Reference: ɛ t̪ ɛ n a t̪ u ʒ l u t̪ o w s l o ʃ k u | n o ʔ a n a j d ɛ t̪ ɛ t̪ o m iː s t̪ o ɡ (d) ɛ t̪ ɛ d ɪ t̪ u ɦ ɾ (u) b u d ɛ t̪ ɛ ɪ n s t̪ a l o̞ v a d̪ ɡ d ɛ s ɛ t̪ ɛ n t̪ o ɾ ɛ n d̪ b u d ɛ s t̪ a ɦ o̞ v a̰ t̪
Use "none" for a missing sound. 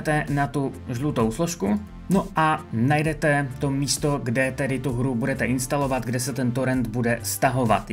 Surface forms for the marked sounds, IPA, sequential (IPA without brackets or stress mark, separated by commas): d, u